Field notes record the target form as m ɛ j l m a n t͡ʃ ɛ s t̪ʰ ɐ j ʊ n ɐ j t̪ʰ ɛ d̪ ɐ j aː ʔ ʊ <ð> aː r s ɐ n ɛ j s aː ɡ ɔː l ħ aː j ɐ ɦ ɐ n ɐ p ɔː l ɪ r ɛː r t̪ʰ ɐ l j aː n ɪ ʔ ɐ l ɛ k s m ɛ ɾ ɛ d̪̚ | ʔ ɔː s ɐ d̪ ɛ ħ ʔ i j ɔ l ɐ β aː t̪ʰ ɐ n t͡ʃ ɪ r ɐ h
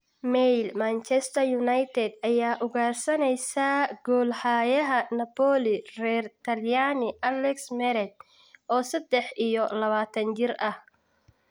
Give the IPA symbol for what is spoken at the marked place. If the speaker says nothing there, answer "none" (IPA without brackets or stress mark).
ɣ